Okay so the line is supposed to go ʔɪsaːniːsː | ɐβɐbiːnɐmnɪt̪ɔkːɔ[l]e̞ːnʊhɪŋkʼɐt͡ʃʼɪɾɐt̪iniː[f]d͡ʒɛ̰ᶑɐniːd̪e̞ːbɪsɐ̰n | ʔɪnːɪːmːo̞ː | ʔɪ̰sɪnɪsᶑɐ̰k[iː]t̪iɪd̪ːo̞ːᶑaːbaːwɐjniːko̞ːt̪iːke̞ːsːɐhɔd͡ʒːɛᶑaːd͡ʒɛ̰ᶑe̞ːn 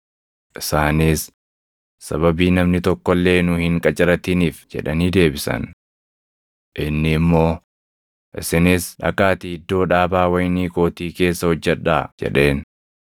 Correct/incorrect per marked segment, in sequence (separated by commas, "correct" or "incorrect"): incorrect, correct, incorrect